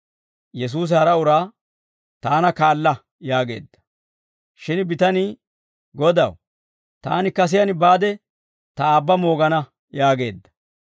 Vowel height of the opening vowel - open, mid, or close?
mid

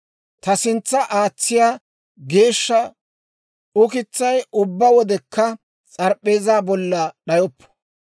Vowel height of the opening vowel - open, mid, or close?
open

